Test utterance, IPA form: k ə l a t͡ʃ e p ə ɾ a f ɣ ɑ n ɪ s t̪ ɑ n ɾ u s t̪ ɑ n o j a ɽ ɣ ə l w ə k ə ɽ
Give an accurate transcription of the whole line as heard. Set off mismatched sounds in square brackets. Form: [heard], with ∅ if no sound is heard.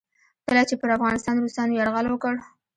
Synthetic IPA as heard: k ə l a t͡ʃ e p ə ɾ a f ɣ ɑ n ɪ s t̪ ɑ n ɾ u s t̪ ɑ n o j a ɽ ɣ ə l w ə k ə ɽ

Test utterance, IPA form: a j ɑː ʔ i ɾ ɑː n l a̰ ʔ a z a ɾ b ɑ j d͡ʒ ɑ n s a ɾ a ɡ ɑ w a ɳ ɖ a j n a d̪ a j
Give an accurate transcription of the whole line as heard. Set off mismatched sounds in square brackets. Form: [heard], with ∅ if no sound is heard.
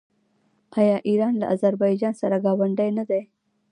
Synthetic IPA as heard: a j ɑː ʔ i ɾ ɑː n l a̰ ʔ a z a ɾ b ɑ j d͡ʒ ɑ n s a ɾ a ɡ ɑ w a ɳ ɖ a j n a d̪ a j

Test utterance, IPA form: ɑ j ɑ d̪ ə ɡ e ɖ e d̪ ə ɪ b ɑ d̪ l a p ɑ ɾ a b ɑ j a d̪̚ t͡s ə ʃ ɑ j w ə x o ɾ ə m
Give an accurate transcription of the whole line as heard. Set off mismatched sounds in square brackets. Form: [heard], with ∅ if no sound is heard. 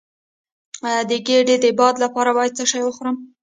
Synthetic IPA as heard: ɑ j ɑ d̪ ə ɡ e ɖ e d̪ ə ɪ b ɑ d̪ l a p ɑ ɾ a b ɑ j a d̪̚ t͡s ə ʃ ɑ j w ə x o ɾ ə m

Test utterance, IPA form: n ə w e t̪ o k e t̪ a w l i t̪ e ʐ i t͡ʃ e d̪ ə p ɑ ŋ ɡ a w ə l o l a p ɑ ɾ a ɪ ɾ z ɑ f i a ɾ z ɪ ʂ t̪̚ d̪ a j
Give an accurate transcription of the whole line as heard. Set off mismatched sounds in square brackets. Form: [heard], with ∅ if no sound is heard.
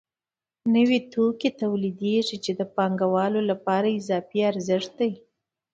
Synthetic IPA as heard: n ə w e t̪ o k e t̪ a w l i [d̪] e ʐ i t͡ʃ e d̪ ə p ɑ ŋ ɡ a w [ɑ] l o l a p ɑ ɾ a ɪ [∅] z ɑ f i a ɾ z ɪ ʂ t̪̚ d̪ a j

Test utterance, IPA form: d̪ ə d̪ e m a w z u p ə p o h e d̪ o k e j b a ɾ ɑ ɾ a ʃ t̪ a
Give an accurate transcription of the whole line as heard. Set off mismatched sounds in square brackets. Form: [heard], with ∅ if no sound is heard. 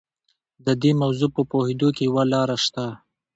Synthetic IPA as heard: d̪ ə d̪ e m a w z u p ə p o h e d̪ o k e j [w] a [l] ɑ ɾ a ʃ t̪ a

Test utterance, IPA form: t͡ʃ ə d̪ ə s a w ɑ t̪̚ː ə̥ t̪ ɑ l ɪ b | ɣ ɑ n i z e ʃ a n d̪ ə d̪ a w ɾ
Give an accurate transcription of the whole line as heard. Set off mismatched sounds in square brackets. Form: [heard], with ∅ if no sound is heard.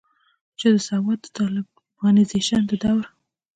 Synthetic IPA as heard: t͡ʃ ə d̪ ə s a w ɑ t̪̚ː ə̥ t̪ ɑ l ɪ b | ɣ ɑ n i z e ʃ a n d̪ ə d̪ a w ɾ

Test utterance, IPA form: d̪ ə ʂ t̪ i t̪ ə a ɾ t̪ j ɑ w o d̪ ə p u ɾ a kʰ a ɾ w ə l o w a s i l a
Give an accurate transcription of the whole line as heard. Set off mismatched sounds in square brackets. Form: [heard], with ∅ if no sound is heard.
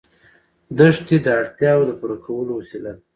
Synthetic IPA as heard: d̪ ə ʂ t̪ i [d̪] ə a [ɽ] t̪ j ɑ w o d̪ ə p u ɾ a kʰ a [∅] w ə l o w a s i l a

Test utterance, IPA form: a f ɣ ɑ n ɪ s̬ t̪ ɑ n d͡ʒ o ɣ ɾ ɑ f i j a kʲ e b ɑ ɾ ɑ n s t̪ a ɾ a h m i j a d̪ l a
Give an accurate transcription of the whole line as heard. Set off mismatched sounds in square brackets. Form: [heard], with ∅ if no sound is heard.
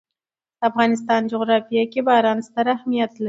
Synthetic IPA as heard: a f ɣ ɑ n ɪ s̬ t̪ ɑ n d͡ʒ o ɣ ɾ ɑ f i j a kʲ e b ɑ ɾ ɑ n s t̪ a ɾ a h m i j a [t̪] l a

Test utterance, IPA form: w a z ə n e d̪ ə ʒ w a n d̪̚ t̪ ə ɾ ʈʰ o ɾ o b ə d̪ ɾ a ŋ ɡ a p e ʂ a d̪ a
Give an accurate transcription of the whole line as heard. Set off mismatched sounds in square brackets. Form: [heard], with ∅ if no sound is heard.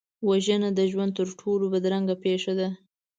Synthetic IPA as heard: w a [ʒ] ə n [a] d̪ ə ʒ w a n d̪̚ t̪ ə ɾ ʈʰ o [l] o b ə d̪ ɾ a ŋ ɡ a p e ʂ a d̪ a

